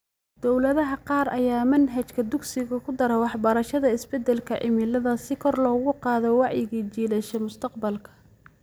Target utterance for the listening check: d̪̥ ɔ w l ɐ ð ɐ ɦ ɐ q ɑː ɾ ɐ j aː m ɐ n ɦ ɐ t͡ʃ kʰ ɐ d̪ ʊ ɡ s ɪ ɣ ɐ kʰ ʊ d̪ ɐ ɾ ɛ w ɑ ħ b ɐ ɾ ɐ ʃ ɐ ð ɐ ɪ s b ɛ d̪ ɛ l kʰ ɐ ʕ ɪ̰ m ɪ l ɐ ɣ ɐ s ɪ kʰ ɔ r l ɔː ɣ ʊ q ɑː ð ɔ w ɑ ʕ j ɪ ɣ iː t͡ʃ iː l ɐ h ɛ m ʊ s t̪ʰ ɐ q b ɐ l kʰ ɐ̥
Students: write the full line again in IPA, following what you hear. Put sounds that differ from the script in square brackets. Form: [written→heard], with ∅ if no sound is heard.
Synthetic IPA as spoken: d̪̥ ɔ w l ɐ ð ɐ ɦ ɐ q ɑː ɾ ɐ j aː m ɐ n ɦ ɐ t͡ʃ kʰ ɐ d̪ ʊ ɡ s ɪ ɣ ɐ kʰ ʊ d̪ ɐ ɾ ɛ w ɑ ħ b ɐ ɾ ɐ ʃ ɐ ð ɐ ɪ s b ɛ d̪ ɛ l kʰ ɐ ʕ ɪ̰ m ɪ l ɐ [ɣ→ð] ɐ s ɪ kʰ ɔ r l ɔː ɣ ʊ q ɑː ð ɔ w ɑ ʕ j ɪ ɣ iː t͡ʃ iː l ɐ [h→ʃ] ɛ m ʊ s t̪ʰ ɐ q b ɐ l kʰ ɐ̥

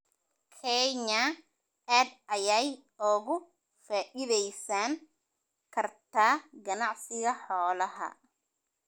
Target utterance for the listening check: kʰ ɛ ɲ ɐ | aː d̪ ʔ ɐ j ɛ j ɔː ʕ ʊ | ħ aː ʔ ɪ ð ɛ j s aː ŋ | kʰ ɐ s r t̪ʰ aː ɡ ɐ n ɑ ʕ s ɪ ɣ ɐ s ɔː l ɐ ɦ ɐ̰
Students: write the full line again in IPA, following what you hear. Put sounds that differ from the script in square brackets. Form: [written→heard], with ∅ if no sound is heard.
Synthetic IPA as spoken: kʰ ɛ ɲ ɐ | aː d̪ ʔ ɐ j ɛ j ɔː [ʕ→ɣ] ʊ | [ħ→f] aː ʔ ɪ ð ɛ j s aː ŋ | kʰ ɐ [s→∅] r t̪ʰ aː ɡ ɐ n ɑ ʕ s ɪ ɣ ɐ [s→ħ] ɔː l ɐ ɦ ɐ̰

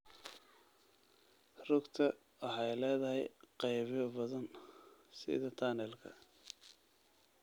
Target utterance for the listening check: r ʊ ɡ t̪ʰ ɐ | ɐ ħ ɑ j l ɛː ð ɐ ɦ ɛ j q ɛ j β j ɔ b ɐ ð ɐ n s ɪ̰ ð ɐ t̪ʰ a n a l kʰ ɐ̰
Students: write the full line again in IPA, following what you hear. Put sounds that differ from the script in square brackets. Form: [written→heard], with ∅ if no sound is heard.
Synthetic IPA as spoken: r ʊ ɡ t̪ʰ ɐ | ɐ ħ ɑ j l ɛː ð ɐ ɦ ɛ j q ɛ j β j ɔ b ɐ ð ɐ n s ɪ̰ ð ɐ t̪ʰ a n [a→ɛ] l kʰ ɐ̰

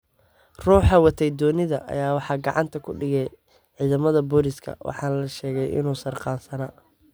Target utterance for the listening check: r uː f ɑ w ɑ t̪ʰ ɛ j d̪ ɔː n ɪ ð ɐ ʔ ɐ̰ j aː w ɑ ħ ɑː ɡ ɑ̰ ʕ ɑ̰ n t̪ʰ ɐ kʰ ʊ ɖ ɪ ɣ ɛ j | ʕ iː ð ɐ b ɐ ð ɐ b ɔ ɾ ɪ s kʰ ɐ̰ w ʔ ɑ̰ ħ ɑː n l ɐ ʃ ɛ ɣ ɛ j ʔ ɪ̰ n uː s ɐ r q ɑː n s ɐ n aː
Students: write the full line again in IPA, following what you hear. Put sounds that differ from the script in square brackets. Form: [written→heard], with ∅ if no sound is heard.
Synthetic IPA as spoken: r uː [f→ħ] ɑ w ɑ t̪ʰ ɛ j d̪ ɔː n ɪ ð ɐ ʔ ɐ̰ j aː w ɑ ħ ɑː ɡ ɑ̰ ʕ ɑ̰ n t̪ʰ ɐ kʰ ʊ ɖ ɪ ɣ ɛ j | ʕ iː ð ɐ [b→m] ɐ ð ɐ b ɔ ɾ ɪ s kʰ ɐ̰ w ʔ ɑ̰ ħ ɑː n l ɐ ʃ [ɛ→ɛː] ɣ ɛ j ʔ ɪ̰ n uː s ɐ r q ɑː n s ɐ n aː

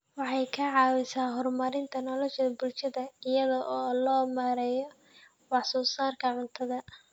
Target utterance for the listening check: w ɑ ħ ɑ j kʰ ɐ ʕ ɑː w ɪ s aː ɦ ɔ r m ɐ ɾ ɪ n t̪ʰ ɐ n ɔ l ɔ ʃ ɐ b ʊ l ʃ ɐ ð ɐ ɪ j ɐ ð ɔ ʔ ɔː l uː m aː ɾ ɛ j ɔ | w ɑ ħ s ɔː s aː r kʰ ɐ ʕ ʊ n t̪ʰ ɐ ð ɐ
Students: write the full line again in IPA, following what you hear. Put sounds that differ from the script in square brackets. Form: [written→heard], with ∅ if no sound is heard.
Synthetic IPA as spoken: w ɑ ħ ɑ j kʰ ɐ ʕ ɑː w ɪ s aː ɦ ɔ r m ɐ ɾ ɪ n t̪ʰ ɐ n ɔ l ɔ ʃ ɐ b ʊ l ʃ ɐ ð ɐ ɪ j ɐ ð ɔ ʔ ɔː l [uː→ɔː] m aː ɾ ɛ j ɔ | w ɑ ħ s ɔː s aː r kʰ ɐ ʕ ʊ n t̪ʰ ɐ ð ɐ

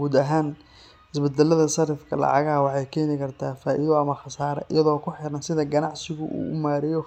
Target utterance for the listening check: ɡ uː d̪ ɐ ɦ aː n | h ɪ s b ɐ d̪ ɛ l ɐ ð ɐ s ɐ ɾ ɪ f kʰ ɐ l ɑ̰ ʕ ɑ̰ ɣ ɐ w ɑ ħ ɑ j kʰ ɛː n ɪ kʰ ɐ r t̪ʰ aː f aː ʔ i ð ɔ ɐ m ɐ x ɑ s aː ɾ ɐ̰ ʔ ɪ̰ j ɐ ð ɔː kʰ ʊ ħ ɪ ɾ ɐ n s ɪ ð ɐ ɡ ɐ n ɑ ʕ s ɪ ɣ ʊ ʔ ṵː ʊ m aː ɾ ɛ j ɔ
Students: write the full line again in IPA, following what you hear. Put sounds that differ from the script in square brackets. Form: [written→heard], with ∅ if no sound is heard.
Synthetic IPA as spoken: ɡ uː d̪ ɐ ɦ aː n | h ɪ s b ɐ d̪ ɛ l ɐ ð ɐ s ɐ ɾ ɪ f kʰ ɐ l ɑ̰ ʕ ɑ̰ ɣ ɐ w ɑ ħ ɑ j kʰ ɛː n ɪ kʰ ɐ r t̪ʰ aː f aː ʔ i ð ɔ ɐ m ɐ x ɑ s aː ɾ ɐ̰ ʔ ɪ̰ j ɐ ð ɔː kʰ ʊ ħ ɪ ɾ ɐ n s ɪ ð ɐ ɡ ɐ n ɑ ʕ s ɪ ɣ ʊ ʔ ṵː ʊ m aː ɾ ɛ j ɔ

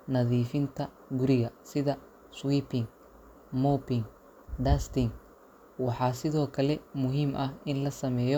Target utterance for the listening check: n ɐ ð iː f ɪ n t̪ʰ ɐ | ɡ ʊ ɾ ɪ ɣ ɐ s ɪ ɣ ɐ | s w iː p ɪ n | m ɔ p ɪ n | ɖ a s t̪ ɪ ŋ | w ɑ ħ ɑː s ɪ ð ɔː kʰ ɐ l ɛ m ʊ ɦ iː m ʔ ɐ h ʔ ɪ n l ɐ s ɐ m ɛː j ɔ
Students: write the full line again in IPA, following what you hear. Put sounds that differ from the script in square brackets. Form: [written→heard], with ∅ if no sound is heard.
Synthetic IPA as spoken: n ɐ ð iː f ɪ n t̪ʰ ɐ | ɡ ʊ ɾ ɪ ɣ ɐ s ɪ [ɣ→ð] ɐ | s w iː p ɪ [n→ŋ] | m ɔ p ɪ [n→ŋ] | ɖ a s t̪ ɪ ŋ | w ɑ ħ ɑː s ɪ ð ɔː kʰ ɐ l ɛ m ʊ ɦ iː m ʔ ɐ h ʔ ɪ n l ɐ s ɐ m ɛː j ɔ

